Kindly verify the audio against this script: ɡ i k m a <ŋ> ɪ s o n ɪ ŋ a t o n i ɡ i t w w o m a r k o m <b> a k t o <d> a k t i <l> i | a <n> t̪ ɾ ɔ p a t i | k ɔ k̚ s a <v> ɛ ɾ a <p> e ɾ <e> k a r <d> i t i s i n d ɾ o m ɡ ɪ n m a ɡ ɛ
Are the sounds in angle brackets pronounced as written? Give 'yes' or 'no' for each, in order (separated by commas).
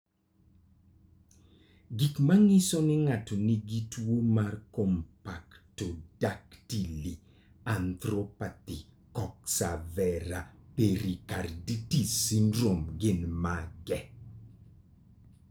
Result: yes, no, yes, yes, yes, yes, yes, no, yes